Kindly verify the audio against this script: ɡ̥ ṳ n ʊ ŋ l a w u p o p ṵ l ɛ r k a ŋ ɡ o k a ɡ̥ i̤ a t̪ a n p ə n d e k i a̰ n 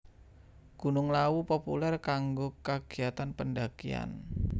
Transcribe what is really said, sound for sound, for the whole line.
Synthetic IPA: ɡ̥ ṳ n ʊ ŋ l a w u p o p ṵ l ɛ r k a ŋ ɡ o k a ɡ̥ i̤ a t̪ a n p ə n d a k i a̰ n